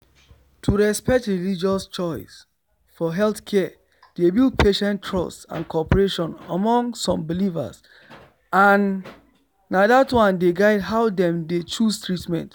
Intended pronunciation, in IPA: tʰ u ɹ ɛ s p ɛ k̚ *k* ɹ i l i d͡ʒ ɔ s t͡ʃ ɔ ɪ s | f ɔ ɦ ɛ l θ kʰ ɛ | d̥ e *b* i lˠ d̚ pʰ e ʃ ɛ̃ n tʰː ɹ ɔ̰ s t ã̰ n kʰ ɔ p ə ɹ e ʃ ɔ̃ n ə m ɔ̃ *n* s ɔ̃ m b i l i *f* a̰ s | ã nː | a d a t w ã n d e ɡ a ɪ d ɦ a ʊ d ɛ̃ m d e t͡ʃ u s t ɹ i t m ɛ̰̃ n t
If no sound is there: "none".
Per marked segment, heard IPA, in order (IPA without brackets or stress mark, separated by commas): t, b, ŋ, v